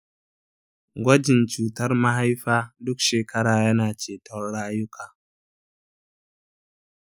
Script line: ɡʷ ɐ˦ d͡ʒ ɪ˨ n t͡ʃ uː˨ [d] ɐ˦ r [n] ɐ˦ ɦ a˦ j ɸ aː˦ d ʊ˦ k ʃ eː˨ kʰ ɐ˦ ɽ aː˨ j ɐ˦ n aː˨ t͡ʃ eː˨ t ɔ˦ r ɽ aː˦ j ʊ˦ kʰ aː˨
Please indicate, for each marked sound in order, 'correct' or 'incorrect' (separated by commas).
incorrect, incorrect